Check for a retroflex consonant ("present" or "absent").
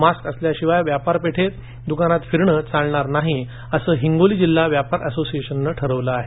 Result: present